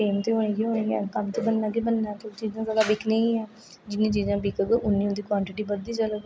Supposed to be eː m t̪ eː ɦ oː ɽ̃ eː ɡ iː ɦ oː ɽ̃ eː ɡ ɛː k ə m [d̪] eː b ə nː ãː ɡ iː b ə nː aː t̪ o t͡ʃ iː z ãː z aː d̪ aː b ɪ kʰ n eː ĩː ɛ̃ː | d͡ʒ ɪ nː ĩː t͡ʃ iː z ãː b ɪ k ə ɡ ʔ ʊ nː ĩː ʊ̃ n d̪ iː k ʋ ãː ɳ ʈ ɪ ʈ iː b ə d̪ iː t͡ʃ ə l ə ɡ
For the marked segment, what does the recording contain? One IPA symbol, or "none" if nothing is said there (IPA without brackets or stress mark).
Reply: t̪